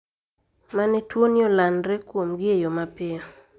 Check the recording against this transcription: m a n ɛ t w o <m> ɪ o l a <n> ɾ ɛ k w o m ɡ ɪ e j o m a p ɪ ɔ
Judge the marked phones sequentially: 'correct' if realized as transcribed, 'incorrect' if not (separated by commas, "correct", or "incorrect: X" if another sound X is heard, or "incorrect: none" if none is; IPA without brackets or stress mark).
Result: incorrect: n, correct